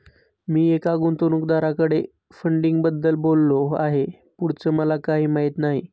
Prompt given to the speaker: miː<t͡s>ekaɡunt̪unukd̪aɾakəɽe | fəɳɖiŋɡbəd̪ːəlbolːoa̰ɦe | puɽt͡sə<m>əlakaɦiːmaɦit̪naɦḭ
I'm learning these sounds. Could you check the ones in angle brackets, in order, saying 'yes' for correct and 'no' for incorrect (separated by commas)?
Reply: no, yes